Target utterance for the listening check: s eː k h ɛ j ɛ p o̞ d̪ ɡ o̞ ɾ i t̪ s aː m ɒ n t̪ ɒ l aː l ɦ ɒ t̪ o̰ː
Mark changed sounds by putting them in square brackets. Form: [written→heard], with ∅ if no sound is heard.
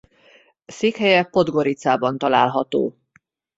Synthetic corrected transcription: s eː k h ɛ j ɛ p o̞ d̪ ɡ o̞ ɾ i t̪ s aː [m→b] ɒ n t̪ ɒ l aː l ɦ ɒ t̪ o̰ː